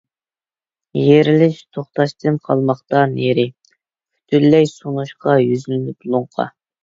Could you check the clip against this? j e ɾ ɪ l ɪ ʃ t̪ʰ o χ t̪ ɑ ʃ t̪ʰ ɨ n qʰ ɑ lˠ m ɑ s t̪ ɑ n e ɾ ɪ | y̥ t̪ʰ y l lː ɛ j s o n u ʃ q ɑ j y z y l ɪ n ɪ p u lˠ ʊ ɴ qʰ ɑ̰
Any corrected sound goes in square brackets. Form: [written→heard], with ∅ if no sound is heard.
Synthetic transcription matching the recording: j e ɾ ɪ l ɪ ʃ t̪ʰ o χ t̪ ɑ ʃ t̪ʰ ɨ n qʰ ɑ lˠ m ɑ [s→χ] t̪ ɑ n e ɾ ɪ | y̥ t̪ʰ y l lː ɛ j s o n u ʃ q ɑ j y z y l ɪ n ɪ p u lˠ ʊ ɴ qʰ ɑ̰